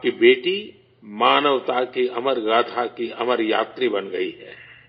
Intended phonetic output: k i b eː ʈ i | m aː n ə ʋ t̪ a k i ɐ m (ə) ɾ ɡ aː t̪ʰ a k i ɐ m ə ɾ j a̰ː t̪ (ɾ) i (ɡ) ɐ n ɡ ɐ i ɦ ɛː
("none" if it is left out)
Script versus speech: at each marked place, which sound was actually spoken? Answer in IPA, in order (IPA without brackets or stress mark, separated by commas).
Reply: ə, ɾ, b